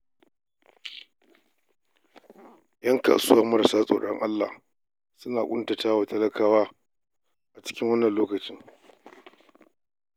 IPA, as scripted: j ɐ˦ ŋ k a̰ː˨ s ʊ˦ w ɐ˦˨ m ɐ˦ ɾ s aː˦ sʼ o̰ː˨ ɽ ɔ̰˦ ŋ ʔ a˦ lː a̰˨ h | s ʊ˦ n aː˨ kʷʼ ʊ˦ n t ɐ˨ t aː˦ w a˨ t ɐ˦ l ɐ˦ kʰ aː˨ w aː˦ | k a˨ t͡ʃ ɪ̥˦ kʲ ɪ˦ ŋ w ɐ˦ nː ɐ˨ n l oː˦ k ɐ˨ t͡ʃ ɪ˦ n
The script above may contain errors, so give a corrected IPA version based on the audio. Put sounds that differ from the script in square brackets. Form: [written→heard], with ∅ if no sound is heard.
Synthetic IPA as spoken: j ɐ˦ ŋ k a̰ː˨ s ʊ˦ w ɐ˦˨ m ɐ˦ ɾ s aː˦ sʼ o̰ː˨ ɽ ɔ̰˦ ŋ ʔ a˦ lː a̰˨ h | s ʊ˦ n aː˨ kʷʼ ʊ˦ n t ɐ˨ t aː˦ w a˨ t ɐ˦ l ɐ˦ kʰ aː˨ w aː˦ | [k→ʔ] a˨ t͡ʃ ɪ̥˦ kʲ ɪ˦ ŋ w ɐ˦ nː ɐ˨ n l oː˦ k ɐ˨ t͡ʃ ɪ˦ [n→ŋ]